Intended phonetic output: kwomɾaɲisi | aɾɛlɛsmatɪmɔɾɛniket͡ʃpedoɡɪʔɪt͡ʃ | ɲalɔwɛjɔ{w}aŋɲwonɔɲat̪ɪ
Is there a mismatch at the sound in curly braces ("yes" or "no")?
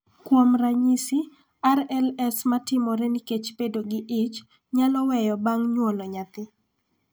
yes